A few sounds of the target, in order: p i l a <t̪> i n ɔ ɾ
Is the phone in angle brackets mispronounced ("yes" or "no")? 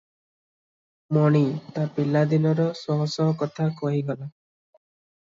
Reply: yes